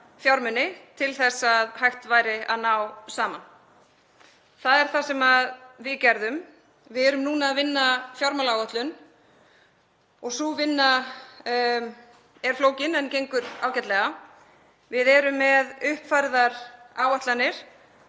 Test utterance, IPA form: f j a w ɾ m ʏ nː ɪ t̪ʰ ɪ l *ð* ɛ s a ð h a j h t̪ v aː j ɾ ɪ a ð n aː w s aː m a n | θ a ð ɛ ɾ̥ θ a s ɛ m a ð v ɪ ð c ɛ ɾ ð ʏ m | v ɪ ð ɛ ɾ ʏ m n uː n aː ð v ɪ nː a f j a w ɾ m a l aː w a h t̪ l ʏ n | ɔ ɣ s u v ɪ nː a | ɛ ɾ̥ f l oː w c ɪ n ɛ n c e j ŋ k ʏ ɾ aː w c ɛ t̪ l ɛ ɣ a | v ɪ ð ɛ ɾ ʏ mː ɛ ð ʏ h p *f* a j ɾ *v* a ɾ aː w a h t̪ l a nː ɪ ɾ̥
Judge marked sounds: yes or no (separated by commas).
no, yes, no